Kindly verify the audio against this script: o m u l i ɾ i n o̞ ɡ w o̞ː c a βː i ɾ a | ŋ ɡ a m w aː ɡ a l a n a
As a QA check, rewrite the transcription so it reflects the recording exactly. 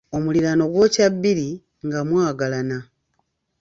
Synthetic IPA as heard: o m u l i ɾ a n o̞ ɡ w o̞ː c a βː i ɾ i | ŋ ɡ a m w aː ɡ a l a n a